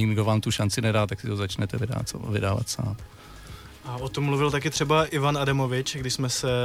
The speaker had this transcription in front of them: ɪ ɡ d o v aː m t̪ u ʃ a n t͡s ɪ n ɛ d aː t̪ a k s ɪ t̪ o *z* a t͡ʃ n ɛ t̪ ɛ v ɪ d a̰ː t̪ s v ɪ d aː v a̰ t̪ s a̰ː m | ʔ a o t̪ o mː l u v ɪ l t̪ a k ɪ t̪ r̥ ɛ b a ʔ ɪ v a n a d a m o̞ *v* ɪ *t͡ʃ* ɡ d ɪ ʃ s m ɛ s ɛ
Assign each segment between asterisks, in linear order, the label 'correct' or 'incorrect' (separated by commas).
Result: correct, correct, correct